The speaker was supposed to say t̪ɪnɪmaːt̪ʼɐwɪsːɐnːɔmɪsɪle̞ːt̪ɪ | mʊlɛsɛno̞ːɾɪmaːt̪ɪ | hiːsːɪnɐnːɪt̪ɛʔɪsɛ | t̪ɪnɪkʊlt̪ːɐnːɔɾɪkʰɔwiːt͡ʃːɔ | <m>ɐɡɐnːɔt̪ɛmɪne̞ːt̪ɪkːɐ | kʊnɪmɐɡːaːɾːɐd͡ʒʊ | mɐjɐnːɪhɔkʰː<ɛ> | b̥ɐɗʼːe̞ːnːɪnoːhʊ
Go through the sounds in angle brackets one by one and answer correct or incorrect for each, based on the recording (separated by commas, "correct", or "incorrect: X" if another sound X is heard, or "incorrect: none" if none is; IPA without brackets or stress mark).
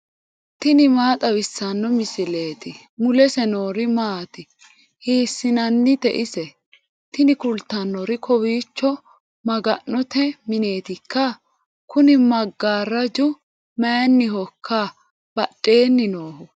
correct, incorrect: a